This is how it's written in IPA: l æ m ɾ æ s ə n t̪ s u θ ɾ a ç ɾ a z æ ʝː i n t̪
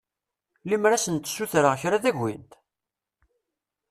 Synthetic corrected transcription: l i m ɾ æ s ə n t̪ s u θ ɾ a ç ɾ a ð æ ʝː i n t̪